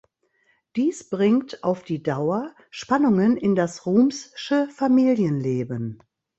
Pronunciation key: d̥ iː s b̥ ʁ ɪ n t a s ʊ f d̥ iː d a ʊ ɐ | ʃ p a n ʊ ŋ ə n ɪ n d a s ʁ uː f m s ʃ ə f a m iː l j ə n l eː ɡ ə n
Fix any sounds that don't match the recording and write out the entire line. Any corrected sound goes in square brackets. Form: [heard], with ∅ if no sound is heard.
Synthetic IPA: d̥ iː s b̥ ʁ ɪ [ŋ] t a [∅] ʊ f d̥ iː d a ʊ ɐ | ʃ p a n ʊ ŋ ə n ɪ n d a s ʁ uː [∅] m s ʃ ə f a m iː l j ə n l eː [b] ə n